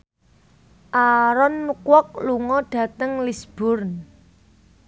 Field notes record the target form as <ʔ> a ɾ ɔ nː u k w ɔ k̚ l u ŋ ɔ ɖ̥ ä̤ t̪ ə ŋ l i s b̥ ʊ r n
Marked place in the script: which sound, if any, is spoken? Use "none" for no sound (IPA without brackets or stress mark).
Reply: ʔ